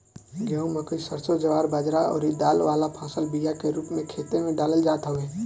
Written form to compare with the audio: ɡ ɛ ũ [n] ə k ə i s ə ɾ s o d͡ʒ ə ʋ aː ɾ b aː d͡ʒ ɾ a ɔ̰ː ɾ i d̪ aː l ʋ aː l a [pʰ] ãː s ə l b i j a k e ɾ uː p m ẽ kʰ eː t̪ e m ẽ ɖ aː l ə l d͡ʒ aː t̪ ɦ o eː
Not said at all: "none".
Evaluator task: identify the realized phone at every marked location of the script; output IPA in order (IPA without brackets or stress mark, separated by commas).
m, pʰ